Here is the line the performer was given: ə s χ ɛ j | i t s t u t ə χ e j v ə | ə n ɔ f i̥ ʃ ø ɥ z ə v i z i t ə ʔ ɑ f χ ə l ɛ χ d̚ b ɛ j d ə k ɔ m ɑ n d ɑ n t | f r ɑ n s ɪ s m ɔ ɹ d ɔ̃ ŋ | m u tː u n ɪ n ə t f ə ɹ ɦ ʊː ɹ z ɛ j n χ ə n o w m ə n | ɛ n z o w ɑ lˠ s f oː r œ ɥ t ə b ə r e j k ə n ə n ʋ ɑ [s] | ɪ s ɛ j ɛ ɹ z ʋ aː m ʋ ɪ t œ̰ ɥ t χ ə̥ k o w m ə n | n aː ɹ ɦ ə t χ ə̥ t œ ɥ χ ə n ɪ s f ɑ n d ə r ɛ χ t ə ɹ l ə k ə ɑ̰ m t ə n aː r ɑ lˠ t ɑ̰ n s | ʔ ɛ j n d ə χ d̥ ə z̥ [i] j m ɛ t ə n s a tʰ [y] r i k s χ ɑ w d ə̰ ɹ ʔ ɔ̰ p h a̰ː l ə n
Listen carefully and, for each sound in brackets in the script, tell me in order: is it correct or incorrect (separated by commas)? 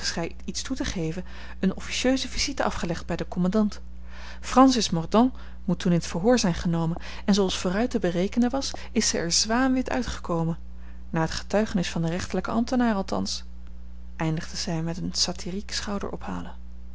correct, incorrect, incorrect